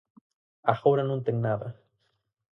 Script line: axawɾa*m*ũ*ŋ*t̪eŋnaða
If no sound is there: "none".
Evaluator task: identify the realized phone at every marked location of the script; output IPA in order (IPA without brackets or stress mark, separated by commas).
n, n